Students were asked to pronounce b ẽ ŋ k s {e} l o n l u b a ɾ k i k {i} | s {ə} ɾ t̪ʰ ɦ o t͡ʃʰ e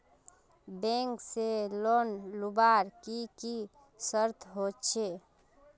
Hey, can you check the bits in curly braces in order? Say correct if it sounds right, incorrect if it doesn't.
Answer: correct, correct, correct

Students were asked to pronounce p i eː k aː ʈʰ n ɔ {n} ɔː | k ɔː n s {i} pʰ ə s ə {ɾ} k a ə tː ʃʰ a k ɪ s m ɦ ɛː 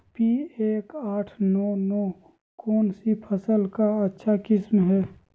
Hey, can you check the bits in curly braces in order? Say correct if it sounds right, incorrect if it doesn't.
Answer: correct, correct, incorrect

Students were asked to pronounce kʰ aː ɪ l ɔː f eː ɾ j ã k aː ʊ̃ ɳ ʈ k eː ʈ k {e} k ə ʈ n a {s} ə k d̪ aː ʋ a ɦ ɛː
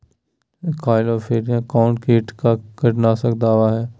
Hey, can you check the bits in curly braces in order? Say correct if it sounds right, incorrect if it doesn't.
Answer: incorrect, correct

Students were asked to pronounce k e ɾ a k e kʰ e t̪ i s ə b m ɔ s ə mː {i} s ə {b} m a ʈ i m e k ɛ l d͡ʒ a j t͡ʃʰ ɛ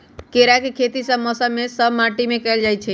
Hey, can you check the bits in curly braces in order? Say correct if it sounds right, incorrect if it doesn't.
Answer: incorrect, correct

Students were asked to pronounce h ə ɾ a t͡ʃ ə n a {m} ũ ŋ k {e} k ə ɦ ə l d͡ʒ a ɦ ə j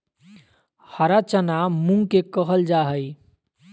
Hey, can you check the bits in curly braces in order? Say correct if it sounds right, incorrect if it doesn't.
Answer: correct, correct

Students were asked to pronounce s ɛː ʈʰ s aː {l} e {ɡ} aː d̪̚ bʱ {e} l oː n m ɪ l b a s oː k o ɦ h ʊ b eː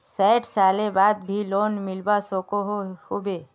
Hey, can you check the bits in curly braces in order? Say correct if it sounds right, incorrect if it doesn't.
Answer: correct, incorrect, incorrect

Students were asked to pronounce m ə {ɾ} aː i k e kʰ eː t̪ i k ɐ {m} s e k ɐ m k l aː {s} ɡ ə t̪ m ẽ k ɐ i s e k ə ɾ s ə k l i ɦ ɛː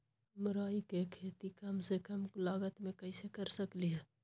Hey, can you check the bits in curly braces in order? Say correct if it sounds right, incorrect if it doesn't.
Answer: correct, correct, incorrect

